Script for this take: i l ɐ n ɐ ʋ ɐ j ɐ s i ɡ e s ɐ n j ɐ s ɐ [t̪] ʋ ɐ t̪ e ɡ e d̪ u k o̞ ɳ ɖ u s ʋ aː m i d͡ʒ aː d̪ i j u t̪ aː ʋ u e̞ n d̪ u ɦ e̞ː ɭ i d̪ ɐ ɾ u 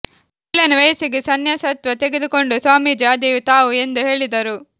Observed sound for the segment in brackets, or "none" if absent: t̪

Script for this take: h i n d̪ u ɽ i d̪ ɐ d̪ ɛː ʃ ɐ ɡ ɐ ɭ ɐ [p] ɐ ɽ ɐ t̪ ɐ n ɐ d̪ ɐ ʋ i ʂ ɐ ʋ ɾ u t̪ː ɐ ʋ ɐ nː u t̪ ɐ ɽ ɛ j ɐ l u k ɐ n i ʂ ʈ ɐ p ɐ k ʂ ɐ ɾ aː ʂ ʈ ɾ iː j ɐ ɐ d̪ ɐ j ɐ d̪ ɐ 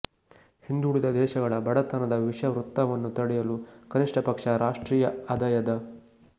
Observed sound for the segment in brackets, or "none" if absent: b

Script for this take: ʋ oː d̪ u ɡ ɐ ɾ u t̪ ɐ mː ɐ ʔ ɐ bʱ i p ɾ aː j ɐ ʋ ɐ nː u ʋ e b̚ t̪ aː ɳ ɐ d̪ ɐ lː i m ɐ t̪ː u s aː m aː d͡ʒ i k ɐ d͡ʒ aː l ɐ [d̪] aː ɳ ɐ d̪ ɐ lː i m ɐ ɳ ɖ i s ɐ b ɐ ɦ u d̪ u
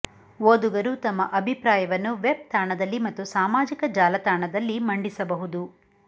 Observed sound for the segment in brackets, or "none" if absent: t̪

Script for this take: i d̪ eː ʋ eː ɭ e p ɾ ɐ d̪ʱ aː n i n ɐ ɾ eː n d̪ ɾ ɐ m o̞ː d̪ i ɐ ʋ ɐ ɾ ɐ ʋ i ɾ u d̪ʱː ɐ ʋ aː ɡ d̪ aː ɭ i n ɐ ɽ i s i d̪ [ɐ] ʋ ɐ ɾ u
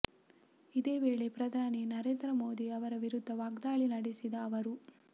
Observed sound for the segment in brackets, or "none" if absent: ɐː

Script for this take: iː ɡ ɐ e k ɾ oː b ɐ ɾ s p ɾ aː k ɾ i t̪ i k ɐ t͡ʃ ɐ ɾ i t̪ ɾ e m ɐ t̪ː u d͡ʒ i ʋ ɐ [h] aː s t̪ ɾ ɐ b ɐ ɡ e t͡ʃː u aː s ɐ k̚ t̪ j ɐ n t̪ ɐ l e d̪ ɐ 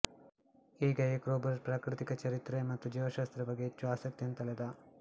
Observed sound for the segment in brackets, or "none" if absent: ʃ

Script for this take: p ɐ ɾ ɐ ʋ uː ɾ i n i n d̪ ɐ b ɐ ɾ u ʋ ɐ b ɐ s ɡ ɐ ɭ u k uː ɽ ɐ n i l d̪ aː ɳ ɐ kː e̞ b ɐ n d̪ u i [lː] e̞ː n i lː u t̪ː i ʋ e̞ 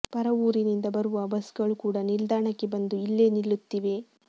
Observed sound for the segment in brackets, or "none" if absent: lː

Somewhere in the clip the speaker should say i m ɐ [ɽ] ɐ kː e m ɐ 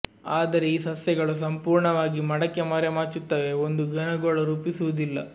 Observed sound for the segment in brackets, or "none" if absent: ɽ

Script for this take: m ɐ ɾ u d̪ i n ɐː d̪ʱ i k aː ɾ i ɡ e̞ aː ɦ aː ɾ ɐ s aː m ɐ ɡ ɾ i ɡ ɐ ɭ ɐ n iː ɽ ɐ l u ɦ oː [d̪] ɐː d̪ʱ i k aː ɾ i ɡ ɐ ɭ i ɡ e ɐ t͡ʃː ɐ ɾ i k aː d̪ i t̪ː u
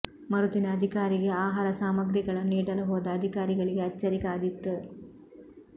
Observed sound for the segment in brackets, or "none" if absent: d̪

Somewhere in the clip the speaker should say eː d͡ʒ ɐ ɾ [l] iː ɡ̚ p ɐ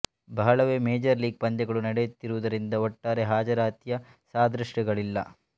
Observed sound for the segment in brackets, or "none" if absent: l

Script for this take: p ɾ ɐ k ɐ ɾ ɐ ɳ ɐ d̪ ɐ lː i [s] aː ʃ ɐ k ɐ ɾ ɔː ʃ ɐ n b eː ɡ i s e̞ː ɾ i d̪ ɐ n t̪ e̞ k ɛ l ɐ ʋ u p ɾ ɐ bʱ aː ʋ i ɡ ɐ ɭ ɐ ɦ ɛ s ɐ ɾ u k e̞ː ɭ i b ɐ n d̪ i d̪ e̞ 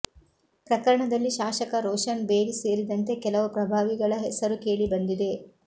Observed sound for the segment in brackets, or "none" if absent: ʃ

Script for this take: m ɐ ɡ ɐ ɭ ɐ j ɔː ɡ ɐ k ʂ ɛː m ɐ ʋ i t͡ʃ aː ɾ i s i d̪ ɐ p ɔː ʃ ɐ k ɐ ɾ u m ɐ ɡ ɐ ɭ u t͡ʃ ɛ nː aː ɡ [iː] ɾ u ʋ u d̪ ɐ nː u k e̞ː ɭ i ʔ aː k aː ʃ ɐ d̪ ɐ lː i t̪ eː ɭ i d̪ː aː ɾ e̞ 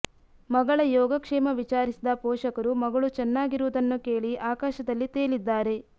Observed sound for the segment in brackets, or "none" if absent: i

